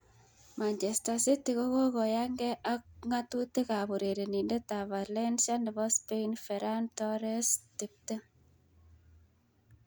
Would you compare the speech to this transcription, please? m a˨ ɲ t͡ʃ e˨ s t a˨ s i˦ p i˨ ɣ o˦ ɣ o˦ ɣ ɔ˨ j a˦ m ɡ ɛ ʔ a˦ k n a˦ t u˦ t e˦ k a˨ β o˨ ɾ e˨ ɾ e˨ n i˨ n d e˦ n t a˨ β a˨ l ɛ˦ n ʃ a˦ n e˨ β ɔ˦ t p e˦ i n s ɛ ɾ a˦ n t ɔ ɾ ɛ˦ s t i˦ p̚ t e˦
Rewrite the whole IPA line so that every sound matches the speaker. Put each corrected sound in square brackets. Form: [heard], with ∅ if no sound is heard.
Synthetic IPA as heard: m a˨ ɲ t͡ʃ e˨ s t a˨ s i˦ [t] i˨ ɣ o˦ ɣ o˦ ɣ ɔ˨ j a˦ [ŋ] ɡ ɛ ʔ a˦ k [ŋ] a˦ t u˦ t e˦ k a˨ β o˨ ɾ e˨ ɾ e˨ n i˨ n d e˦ [∅] t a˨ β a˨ l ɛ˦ n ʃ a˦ n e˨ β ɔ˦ [s] p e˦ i n [f] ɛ ɾ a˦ n t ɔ ɾ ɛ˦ s t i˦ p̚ t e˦